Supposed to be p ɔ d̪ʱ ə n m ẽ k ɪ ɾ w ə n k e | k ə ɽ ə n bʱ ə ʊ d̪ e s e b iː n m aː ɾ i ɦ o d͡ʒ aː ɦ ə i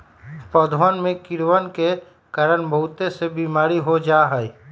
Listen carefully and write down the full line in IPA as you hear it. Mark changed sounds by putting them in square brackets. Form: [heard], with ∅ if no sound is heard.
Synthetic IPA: p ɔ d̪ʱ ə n m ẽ k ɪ ɾ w ə n k e | k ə [ɾ] ə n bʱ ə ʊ [t̪] e s e b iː [∅] m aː ɾ i ɦ o d͡ʒ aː ɦ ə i